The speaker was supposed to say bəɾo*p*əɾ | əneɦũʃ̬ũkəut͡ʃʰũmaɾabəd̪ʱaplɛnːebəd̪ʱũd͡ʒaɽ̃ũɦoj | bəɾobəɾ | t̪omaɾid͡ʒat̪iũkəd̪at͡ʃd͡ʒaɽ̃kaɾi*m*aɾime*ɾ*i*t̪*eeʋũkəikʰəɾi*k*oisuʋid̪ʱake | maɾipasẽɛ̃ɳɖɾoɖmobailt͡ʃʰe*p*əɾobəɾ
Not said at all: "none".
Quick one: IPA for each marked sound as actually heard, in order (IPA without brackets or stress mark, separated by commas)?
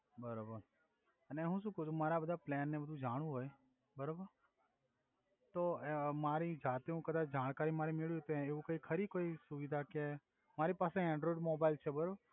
b, m, ɭ, t̪, k, b